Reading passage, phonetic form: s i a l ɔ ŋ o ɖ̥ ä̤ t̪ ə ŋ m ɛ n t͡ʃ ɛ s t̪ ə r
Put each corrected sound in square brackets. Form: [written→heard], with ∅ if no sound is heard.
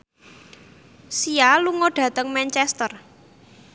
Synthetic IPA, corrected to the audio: s i a l [ɔ→u] ŋ o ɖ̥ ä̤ t̪ ə ŋ m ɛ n t͡ʃ ɛ s t̪ ə r